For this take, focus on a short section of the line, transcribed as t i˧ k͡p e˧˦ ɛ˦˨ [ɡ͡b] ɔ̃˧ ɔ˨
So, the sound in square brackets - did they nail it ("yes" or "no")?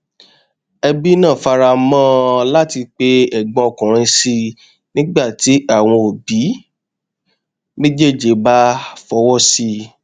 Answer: yes